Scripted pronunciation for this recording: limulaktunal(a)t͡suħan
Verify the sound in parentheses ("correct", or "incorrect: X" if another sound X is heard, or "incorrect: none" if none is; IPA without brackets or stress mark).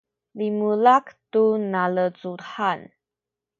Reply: incorrect: ə